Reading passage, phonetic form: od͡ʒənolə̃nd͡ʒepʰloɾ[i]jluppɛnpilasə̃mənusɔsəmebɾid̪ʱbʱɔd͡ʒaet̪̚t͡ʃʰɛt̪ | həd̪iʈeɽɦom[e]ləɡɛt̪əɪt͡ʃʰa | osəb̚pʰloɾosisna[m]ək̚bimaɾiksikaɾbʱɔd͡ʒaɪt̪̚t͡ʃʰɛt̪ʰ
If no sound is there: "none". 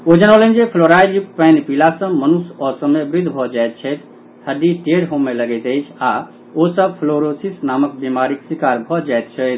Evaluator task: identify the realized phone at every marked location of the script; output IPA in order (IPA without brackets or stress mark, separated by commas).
a, e, m